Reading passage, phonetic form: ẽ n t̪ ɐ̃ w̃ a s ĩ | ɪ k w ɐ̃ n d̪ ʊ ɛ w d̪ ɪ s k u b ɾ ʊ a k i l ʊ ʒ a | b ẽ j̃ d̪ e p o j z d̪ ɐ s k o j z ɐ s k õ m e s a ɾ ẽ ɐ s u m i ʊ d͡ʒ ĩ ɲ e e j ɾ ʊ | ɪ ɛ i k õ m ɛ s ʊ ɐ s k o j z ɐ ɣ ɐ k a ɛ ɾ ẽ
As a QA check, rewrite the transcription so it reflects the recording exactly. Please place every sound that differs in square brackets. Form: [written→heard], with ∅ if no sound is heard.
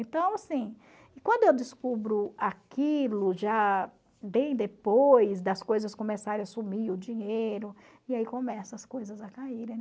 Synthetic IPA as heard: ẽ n t̪ ɐ̃ w̃ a s ĩ | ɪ k w ɐ̃ n d̪ ʊ [ɛ→e] w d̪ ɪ s k u b ɾ ʊ a k i l ʊ ʒ a | b ẽ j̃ d̪ e p o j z d̪ ɐ s k o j z ɐ s k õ m e s a ɾ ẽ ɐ s u m i ʊ d͡ʒ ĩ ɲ e e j ɾ ʊ | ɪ [ɛ→a] i k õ m ɛ s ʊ ɐ s k o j z ɐ [ɣ→z] ɐ k a [ɛ→i] ɾ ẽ